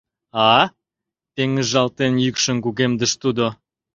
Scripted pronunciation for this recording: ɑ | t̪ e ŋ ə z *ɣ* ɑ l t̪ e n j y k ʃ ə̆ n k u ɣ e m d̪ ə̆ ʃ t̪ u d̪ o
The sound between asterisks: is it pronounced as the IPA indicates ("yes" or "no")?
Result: no